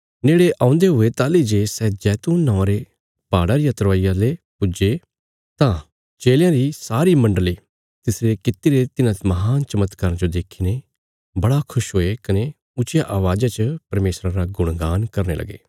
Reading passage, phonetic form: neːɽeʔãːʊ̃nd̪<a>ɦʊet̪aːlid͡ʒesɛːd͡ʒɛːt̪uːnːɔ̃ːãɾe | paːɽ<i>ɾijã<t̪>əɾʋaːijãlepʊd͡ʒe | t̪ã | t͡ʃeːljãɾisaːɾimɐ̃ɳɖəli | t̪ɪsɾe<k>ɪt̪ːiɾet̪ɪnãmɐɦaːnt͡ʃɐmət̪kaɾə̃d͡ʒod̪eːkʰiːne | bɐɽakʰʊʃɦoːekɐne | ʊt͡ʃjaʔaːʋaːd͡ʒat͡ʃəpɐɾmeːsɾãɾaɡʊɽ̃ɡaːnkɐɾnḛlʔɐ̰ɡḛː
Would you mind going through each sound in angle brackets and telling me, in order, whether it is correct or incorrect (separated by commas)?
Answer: incorrect, incorrect, correct, correct